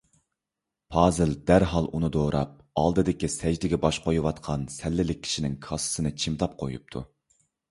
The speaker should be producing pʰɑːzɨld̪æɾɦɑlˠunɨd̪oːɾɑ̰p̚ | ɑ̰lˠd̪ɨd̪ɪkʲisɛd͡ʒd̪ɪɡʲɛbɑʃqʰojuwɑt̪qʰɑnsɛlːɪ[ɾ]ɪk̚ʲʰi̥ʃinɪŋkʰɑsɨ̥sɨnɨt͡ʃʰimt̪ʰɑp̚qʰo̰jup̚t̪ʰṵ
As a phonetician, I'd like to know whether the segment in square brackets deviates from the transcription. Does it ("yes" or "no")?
yes